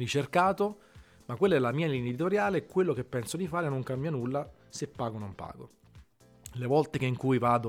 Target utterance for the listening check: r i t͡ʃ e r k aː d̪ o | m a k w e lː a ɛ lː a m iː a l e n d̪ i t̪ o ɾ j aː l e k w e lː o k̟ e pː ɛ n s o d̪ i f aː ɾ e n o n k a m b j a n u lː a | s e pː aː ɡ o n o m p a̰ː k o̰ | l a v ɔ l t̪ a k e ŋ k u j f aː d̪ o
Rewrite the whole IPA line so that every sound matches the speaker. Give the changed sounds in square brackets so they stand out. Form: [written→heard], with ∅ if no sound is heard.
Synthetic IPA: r i t͡ʃ e r k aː [d̪→t̪] o | m a k w e lː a ɛ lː a m iː a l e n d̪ i t̪ o ɾ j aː l e k w e lː o k̟ e pː ɛ n s o d̪ i f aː ɾ e n o [n→ŋ] k a m b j a n u lː a | s e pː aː ɡ o n o m p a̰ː [k→ɡ] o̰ | l [a→e] v ɔ l t̪ [a→e] k e ŋ k u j [f→v] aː d̪ o